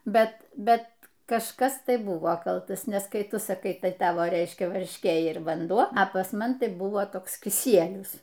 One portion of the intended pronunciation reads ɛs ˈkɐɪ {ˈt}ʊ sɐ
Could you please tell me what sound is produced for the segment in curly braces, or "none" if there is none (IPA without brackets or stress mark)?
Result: t